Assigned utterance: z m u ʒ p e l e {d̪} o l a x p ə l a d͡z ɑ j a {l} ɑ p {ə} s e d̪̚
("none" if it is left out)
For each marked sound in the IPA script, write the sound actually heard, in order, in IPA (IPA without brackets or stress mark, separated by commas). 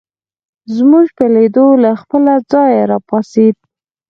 d̪, ɾ, ɑ